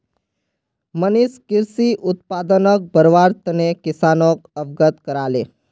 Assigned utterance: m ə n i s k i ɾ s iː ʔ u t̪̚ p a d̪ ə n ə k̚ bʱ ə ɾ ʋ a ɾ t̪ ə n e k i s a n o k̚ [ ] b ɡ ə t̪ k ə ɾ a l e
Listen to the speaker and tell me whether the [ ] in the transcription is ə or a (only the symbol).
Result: ə